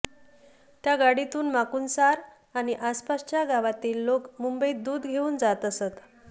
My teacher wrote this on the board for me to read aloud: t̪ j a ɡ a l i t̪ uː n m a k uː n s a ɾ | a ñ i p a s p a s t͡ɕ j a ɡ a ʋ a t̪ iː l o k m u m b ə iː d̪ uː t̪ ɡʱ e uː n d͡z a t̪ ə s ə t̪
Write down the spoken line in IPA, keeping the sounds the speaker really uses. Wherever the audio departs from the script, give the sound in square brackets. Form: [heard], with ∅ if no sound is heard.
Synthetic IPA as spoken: t̪ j a ɡ a [ɽ] i t̪ uː n m a k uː n s a ɾ | a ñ i [ʔ] a s p a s t͡ɕ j a ɡ a ʋ a t̪ iː [lː] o k m u m b ə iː d̪ uː [d̪] ɡʱ e uː n d͡z a t̪ ə s ə t̪